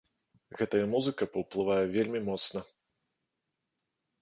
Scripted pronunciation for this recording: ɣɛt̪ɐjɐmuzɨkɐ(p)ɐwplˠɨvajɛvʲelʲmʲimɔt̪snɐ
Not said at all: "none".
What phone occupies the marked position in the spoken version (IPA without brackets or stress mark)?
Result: p